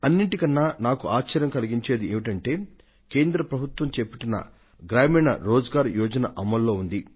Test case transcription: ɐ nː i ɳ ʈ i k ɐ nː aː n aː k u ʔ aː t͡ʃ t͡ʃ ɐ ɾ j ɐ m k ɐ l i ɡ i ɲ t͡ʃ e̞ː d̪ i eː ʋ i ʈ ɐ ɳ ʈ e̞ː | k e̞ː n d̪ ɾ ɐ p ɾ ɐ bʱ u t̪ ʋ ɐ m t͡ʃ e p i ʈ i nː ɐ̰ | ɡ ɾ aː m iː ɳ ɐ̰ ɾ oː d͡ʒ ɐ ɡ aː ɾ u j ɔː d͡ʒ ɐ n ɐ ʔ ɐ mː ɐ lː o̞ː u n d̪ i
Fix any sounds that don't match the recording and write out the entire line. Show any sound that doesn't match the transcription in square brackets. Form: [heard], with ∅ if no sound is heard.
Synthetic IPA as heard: ɐ nː i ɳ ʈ i k ɐ nː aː n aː k u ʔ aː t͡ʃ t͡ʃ ɐ ɾ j ɐ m k ɐ l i ɡ i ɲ t͡ʃ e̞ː d̪ i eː ʋ i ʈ ɐ ɳ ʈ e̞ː | k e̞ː n d̪ ɾ ɐ p ɾ ɐ bʱ u t̪ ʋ ɐ m t͡ʃ e p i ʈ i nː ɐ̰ | ɡ ɾ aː m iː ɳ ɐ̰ ɾ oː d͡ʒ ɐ ɡ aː ɾ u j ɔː d͡ʒ ɐ n ɐ ʔ ɐ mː ɐ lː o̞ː u n d̪ i